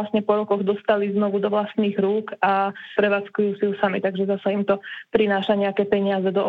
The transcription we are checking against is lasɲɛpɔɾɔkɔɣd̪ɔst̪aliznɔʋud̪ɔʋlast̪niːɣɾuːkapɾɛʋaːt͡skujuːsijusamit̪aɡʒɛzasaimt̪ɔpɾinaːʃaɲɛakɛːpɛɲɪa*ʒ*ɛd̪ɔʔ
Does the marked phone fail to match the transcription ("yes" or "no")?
yes